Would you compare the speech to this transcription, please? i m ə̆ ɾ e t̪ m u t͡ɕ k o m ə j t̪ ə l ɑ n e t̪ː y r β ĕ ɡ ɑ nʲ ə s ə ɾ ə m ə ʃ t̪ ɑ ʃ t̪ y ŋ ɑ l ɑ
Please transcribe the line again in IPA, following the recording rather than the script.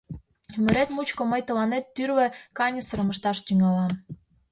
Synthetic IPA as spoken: y m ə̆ ɾ e t̪ m u t͡ɕ k o m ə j t̪ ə l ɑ n e t̪ː y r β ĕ k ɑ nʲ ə s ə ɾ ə m ə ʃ t̪ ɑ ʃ t̪ y ŋ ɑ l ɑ

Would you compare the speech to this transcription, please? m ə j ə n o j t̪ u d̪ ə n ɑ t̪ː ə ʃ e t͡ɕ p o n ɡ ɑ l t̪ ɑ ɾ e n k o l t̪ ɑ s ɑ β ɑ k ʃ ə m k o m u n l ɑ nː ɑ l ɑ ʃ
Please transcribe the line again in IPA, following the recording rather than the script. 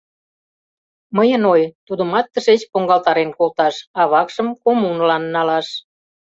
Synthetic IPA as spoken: m ə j ə n o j t̪ u d̪ ə m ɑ t̪ː ə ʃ e t͡ɕ p o ŋ ɡ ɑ l t̪ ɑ ɾ e n k o l t̪ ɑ ʃ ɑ β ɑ k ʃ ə m k o m u n l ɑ nː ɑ l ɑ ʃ

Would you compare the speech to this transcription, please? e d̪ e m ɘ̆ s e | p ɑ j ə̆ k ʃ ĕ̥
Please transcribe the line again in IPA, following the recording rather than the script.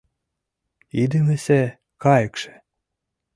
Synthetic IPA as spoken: i d̪ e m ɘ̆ s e | k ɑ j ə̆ k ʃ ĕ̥

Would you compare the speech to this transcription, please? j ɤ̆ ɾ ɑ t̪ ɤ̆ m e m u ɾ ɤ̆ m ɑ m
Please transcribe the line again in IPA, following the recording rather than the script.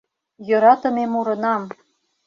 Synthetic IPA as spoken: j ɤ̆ ɾ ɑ t̪ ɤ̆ m e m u ɾ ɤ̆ n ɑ m

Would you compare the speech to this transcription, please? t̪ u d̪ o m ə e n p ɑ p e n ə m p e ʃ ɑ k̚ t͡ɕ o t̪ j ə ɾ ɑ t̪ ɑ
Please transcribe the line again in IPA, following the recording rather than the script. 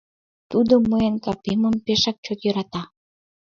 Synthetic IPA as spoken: t̪ u d̪ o m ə e n k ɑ p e m ə m p e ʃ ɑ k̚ t͡ɕ o t̪ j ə ɾ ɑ t̪ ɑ

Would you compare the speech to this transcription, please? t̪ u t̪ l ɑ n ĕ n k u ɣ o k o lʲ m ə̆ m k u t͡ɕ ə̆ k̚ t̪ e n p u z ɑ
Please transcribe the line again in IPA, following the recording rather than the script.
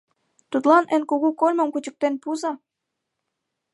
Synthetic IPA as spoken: t̪ u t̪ l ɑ n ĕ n k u ɣ u k o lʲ m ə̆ m k u t͡ɕ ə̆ k̚ t̪ e n p u z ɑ

